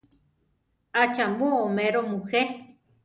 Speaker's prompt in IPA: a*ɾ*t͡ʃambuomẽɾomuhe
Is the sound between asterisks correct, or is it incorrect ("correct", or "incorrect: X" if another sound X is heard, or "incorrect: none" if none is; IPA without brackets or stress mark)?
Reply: incorrect: none